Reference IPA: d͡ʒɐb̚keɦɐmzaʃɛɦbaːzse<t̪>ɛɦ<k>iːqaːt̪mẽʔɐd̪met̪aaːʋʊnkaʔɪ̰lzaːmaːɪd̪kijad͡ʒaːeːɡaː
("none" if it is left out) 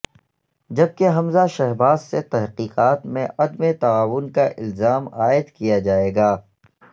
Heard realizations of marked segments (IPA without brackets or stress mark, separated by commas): t̪, q